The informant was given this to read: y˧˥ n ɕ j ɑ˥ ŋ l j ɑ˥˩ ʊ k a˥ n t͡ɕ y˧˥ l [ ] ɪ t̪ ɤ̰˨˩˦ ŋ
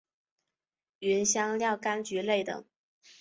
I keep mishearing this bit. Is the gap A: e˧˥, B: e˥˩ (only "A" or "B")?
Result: B